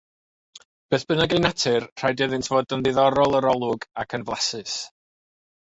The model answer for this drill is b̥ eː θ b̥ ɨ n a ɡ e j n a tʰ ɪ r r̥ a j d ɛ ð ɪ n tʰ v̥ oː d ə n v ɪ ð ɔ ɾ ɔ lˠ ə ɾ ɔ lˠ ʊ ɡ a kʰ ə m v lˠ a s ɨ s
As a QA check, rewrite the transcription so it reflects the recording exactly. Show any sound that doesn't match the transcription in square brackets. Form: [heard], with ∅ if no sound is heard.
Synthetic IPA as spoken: b̥ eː θ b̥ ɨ n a ɡ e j n a tʰ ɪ r r̥ a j d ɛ ð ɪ n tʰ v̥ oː d ə n [ð] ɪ ð ɔ ɾ ɔ lˠ ə ɾ ɔ lˠ ʊ ɡ a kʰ ə [n] v lˠ a s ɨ s